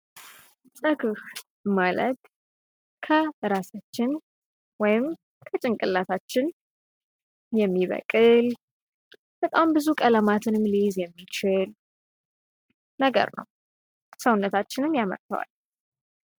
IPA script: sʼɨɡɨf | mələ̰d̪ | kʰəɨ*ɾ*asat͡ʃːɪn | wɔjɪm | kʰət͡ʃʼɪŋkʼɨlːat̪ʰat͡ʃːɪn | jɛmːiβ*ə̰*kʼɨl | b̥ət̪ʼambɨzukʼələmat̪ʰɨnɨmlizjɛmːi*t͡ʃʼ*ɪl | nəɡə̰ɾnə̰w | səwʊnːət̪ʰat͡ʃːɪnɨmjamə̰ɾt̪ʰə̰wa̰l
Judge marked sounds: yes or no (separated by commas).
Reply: yes, yes, no